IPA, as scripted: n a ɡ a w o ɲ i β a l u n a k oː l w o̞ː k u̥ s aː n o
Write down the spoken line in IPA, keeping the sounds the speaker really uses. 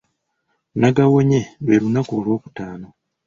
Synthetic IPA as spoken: n a ɡ a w o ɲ e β e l u n a k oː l w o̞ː k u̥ t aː n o